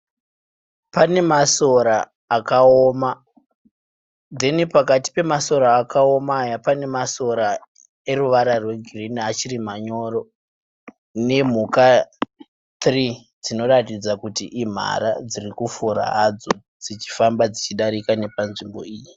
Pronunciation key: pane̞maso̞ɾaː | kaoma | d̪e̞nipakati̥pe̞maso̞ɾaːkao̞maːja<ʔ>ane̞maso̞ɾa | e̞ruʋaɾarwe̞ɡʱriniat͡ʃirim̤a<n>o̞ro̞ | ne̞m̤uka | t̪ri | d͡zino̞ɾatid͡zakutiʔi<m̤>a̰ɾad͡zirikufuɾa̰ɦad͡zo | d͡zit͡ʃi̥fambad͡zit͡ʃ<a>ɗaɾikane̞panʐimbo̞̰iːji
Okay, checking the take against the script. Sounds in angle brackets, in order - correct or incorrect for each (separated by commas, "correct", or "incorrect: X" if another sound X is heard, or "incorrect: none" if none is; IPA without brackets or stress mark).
incorrect: p, incorrect: ɲ, correct, incorrect: i